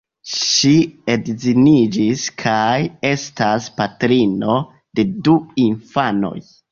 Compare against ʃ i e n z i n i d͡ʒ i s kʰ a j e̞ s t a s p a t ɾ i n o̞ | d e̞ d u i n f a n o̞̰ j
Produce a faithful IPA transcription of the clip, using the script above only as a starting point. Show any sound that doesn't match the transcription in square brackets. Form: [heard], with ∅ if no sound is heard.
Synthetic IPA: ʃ i e [d] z i n i d͡ʒ i s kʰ a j e̞ s t a s p a t ɾ i n o̞ | d e̞ d u i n f a n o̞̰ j